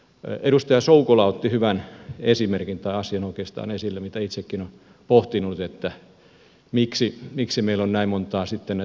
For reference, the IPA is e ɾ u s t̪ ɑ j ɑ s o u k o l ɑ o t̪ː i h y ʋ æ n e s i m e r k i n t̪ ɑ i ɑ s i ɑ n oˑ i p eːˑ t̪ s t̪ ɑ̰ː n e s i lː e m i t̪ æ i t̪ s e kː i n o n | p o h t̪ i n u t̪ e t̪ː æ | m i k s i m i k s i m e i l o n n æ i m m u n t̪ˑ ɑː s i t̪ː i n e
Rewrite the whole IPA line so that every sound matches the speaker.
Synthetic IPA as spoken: e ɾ u s t̪ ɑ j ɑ s o u k o l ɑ o t̪ː i h y ʋ æ n e s i m e r k i n t̪ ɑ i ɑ s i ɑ n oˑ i k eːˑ s t̪ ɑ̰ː n e s i lː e m i t̪ æ i t̪ s e kː i n o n | p o h t̪ i n u t̪ e t̪ː æ | m i k s i m i k s i m e i l o n n æ i m m o n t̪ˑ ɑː s i t̪ː e n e